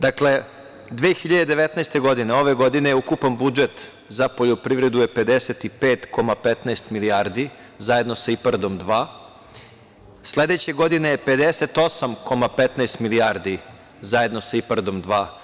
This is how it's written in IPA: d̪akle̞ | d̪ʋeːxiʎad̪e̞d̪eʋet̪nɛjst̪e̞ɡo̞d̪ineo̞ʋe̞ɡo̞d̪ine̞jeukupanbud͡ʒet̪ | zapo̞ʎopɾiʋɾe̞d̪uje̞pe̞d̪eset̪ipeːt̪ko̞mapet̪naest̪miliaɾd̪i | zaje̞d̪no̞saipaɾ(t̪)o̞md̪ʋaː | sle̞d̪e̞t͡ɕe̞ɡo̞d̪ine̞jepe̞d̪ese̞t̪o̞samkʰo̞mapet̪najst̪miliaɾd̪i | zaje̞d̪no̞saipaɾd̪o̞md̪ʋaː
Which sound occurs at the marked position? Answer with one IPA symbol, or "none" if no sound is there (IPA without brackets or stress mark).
d̪